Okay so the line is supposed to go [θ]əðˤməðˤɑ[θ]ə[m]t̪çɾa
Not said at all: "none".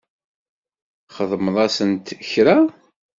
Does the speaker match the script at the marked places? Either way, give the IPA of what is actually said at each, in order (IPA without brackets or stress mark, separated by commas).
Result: χ, s, n